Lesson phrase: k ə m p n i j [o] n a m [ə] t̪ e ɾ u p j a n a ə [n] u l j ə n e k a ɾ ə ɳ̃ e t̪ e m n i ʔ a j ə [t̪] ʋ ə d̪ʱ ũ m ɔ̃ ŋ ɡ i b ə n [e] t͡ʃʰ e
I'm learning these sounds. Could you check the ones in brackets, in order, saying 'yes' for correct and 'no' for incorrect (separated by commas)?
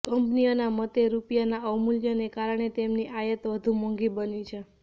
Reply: yes, yes, no, yes, no